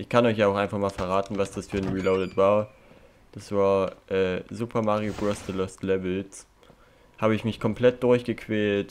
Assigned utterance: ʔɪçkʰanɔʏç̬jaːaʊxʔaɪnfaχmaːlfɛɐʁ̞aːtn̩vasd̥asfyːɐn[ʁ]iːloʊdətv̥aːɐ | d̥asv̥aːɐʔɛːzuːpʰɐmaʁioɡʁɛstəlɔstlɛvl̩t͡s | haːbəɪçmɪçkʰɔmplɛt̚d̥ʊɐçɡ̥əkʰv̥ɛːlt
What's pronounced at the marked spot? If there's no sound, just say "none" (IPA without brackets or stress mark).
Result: ʁ